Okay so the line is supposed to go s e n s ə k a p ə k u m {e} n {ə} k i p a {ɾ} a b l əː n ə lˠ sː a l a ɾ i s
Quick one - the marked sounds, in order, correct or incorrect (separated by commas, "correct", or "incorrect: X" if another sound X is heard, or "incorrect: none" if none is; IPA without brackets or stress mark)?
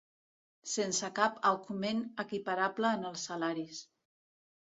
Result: correct, correct, correct